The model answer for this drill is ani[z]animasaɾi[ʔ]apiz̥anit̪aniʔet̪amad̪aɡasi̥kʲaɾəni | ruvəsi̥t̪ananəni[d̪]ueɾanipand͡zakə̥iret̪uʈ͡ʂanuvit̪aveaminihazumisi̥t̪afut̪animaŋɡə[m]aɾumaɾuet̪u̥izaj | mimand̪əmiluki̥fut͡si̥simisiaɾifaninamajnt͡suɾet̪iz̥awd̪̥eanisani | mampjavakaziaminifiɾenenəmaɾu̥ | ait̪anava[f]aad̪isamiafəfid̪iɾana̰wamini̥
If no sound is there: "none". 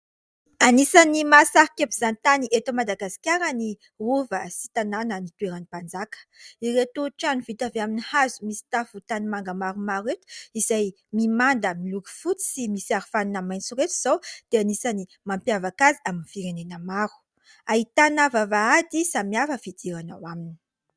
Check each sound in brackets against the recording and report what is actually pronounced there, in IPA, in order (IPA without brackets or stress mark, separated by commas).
s, k, t̪, m, v